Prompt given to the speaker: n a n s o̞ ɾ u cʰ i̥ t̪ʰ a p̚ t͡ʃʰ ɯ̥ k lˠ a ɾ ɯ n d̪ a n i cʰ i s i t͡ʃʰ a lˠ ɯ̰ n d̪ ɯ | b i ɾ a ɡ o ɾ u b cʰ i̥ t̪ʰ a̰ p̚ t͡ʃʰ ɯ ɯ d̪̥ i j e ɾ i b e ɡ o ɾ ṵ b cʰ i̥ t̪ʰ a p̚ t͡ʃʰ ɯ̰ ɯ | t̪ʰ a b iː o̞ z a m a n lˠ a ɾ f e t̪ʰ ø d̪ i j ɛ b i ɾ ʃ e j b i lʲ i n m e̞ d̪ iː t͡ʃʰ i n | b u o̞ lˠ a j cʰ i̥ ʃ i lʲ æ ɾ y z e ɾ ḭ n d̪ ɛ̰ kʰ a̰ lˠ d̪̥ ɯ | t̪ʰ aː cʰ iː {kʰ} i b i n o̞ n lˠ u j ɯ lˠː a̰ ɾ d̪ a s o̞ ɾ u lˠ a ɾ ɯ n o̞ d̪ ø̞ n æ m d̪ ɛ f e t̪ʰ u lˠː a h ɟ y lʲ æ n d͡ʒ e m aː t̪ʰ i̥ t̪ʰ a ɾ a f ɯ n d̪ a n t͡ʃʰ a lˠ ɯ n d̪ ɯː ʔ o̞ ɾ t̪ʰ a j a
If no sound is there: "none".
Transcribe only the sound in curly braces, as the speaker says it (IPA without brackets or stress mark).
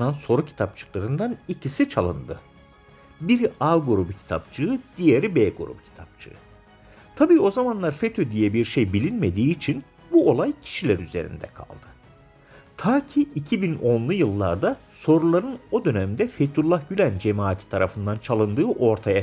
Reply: cʰ